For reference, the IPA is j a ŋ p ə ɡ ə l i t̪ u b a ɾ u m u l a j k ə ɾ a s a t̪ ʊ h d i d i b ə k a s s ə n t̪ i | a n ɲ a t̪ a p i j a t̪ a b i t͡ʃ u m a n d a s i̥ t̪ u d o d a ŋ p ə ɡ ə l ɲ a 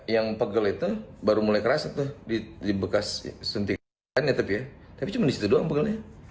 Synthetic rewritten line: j a ŋ p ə ɡ ə l i t̪ u b a ɾ u m u l a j k ə ɾ a s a t̪ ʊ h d i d i b ə k a s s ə n t̪ i | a n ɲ a t̪ a p i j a t̪ a p i t͡ʃ u m a n d i s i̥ t̪ u d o a ŋ p ə ɡ ə l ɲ a